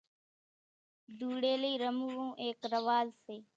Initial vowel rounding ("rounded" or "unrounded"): rounded